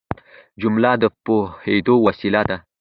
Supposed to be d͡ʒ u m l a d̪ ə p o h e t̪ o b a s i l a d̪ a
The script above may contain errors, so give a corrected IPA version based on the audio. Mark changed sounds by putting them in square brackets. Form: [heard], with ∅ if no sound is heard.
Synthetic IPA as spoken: d͡ʒ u m l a d̪ ə p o h e [d̪] o [w] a s i l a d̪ a